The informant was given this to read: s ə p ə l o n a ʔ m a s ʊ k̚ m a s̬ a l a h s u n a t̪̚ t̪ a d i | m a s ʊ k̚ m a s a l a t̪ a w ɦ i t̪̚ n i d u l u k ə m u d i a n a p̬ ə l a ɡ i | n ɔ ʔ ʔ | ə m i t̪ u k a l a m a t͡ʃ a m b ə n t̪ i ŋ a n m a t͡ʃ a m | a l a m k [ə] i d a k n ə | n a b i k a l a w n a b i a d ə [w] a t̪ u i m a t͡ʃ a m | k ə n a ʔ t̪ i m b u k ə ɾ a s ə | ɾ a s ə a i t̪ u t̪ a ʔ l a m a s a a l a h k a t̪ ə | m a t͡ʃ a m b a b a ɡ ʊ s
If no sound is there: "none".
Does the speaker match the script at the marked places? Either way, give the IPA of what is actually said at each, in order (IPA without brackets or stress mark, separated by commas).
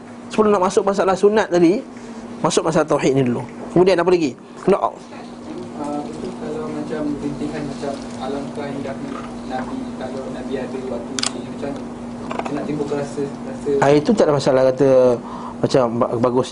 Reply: a, w